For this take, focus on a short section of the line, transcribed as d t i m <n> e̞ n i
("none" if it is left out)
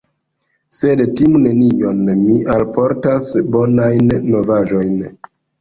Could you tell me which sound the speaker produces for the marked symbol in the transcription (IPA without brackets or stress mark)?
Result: n